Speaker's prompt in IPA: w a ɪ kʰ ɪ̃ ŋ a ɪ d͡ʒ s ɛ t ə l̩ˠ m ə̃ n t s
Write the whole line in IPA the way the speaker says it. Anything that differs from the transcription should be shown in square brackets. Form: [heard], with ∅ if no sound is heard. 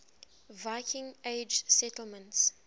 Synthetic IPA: [v] a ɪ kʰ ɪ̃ ŋ [e] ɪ d͡ʒ s ɛ t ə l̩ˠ m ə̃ n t s